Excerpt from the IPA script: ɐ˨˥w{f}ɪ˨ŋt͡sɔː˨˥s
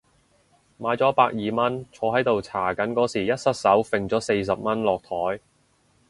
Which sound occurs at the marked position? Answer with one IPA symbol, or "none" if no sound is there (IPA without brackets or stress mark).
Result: f